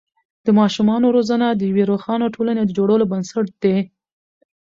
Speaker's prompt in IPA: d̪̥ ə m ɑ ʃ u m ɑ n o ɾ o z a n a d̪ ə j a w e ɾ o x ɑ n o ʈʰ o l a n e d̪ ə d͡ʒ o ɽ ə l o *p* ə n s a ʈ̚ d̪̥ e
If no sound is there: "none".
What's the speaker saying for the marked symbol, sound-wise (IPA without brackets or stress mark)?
b